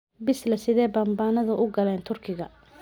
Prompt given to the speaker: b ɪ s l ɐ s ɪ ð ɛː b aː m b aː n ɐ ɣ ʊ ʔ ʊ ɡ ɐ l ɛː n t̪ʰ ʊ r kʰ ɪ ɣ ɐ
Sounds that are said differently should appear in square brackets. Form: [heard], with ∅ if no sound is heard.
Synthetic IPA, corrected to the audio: b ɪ s l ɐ s ɪ ð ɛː b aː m b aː n ɐ [ð] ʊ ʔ ʊ ɡ ɐ l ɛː n t̪ʰ ʊ r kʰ ɪ ɣ ɐ